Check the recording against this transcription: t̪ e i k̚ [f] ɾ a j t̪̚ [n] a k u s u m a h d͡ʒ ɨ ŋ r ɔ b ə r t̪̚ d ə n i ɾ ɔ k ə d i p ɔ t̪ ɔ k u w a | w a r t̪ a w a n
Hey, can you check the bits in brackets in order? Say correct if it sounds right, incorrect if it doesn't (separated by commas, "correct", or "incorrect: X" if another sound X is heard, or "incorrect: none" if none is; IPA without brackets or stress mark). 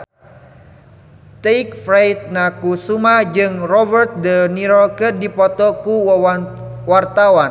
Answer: correct, correct